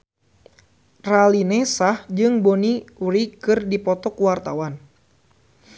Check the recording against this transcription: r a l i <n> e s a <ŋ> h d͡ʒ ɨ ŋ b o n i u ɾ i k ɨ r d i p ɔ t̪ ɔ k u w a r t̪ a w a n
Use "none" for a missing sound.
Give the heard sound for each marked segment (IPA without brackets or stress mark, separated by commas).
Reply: n, none